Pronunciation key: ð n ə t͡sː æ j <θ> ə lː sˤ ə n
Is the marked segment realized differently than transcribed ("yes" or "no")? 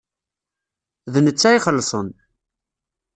yes